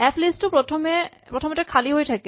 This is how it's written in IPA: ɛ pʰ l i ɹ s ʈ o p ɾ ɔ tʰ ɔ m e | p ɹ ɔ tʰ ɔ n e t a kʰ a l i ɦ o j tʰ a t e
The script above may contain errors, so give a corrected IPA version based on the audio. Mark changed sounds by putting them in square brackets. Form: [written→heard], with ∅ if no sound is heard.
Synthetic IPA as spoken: ɛ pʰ l i [ɹ→∅] s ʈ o p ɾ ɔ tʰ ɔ m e | p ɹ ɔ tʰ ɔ [n→m] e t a kʰ a l i ɦ o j tʰ a [t→k] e